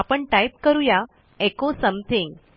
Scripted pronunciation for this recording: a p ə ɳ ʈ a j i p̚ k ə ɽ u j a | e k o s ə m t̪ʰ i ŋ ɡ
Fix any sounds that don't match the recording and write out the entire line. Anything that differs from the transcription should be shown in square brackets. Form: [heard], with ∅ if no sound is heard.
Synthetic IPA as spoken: a p ə ɳ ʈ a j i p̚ k ə [ɾ] u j a | e k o s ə m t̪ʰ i ŋ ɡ